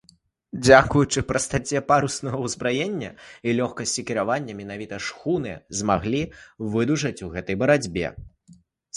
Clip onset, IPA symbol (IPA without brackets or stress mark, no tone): d͡zʲ